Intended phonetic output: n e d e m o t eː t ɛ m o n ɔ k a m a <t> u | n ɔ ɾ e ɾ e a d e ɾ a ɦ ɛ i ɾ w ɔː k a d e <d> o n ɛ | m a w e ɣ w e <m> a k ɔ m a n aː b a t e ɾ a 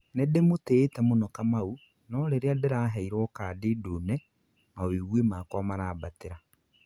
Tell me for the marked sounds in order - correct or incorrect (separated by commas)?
incorrect, correct, correct